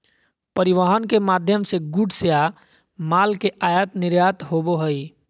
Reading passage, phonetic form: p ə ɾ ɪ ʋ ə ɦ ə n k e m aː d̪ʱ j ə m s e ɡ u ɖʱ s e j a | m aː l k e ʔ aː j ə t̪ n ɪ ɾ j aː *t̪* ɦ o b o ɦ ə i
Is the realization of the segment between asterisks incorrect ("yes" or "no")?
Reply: no